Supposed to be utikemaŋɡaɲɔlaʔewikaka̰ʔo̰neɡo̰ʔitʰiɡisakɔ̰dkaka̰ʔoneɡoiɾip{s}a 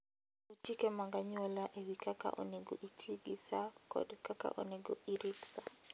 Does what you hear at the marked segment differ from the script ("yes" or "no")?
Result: no